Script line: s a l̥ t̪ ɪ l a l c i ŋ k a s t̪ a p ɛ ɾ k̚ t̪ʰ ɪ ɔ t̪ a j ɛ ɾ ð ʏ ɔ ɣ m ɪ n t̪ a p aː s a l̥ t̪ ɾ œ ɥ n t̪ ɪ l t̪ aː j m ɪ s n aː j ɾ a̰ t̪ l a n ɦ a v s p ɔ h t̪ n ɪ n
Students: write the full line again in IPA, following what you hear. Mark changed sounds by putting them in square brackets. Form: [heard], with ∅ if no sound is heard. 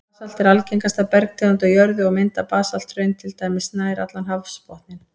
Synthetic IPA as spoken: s a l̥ t̪ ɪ [ɾ] a l c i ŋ k a s t̪ a p ɛ ɾ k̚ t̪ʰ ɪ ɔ t̪ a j [œ] ɾ ð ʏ ɔ ɣ m ɪ n t̪ a p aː s a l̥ t̪ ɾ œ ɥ n [t̪ʰ] ɪ l t̪ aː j m ɪ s n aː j ɾ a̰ t̪ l a n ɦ a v s p ɔ h t̪ n ɪ n